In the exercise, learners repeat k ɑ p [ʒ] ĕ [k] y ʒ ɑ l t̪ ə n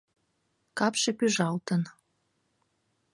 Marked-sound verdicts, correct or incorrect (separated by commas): incorrect, incorrect